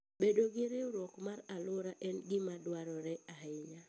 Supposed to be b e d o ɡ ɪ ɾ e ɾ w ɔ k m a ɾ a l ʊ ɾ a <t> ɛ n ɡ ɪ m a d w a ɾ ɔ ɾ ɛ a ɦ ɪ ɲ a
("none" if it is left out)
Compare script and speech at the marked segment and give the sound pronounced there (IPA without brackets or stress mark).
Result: ʔ